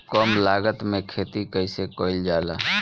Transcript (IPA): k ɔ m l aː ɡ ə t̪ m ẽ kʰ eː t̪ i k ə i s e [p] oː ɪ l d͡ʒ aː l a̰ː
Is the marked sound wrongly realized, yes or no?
yes